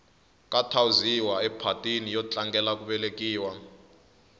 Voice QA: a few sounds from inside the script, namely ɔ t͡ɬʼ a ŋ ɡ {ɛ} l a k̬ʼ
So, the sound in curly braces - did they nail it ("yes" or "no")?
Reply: yes